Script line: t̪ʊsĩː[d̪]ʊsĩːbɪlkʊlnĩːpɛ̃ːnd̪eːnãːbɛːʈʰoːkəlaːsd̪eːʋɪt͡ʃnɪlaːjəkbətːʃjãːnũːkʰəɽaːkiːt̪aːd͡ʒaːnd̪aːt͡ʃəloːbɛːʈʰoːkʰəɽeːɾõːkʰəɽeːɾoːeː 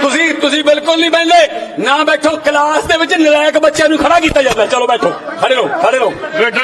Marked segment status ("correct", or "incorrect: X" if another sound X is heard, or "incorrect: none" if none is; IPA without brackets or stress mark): incorrect: t̪